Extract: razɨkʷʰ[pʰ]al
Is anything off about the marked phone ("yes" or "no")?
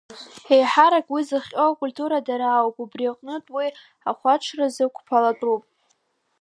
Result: no